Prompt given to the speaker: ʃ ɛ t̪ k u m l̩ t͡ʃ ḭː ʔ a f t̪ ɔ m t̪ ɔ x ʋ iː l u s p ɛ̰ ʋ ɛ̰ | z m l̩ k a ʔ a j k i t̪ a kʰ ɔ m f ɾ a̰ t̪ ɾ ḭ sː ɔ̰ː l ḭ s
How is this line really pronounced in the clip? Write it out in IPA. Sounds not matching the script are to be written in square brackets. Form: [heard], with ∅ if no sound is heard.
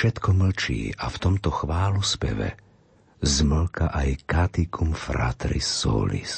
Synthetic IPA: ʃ ɛ t̪ k [ɔ] m l̩ t͡ʃ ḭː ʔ a f t̪ ɔ m t̪ ɔ x ʋ [aː] l u s p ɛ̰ ʋ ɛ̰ | z m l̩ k a ʔ a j k [a] t̪ [i] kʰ [u] m f ɾ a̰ t̪ ɾ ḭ sː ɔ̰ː l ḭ s